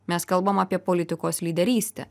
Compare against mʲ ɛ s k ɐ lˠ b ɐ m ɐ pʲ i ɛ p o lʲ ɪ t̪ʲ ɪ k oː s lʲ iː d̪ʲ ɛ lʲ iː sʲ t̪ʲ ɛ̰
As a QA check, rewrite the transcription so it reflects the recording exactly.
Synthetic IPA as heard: mʲ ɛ s k ɐ lˠ b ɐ m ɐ pʲ i ɛ p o lʲ ɪ t̪ʲ ɪ k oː s lʲ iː d̪ʲ ɛ ɾʲ iː sʲ t̪ʲ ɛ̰